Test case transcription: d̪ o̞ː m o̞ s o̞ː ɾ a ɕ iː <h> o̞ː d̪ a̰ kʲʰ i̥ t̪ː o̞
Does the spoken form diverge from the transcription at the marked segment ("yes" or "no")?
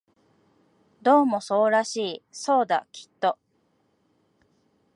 yes